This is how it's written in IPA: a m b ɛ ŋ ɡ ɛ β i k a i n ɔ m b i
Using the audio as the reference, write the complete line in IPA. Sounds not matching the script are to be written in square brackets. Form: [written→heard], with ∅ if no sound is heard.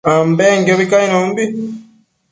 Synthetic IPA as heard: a m b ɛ ŋ ɡ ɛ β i k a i n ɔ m b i